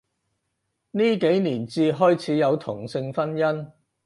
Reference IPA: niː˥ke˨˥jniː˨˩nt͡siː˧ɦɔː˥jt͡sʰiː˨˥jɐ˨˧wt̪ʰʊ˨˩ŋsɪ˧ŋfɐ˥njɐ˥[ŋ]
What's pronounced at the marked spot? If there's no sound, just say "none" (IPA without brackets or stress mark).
n